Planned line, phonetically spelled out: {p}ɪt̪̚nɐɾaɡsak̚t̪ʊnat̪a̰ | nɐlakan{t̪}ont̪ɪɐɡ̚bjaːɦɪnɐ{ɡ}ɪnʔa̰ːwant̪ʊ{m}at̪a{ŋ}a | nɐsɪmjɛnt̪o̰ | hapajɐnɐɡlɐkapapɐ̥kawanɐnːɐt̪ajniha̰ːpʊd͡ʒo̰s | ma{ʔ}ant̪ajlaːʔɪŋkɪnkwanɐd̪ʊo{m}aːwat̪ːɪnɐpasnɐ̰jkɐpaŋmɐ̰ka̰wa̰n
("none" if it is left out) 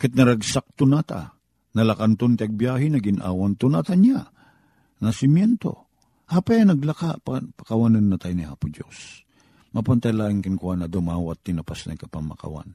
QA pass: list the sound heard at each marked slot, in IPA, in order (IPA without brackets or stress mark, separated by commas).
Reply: k, t̪, ɡ, n, ɲ, p, m